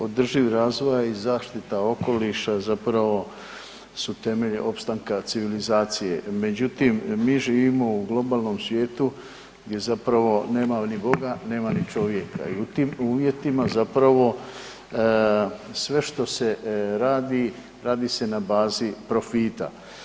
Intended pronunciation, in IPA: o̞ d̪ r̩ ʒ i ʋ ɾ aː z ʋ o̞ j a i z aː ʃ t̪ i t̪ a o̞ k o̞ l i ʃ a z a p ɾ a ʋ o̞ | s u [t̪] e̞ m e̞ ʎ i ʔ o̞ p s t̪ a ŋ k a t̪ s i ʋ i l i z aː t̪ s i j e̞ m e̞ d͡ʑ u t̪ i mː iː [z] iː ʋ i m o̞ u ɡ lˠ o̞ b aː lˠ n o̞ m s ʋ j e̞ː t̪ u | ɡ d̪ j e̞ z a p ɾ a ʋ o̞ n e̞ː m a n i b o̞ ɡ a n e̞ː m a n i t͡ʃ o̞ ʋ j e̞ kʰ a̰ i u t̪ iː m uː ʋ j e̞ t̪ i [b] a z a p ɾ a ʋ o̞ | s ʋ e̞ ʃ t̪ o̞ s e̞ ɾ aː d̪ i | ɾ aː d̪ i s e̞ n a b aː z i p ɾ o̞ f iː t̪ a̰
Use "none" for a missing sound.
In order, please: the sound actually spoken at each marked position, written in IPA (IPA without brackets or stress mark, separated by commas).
t̪, ʒ, m